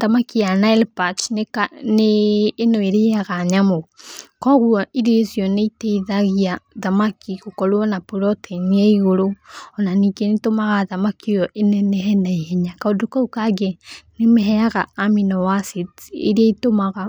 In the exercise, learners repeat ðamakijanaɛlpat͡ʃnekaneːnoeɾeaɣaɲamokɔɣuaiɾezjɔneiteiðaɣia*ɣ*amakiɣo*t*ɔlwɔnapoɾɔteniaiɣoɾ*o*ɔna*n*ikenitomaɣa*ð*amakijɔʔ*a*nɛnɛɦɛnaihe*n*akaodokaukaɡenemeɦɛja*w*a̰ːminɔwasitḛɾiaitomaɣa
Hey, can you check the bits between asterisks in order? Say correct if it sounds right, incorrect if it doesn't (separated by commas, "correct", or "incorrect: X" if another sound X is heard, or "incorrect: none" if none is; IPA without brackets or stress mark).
incorrect: ð, incorrect: k, correct, correct, correct, incorrect: e, incorrect: ɲ, incorrect: ɣ